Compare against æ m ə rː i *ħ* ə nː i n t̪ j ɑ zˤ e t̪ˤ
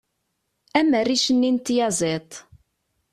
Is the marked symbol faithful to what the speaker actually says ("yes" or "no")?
no